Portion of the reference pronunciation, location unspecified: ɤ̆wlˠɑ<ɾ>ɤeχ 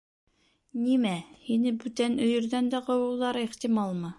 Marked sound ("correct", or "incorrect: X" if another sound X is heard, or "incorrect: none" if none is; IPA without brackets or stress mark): correct